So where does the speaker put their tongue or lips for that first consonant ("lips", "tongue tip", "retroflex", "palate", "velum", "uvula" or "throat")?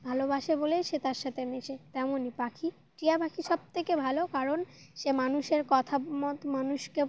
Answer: lips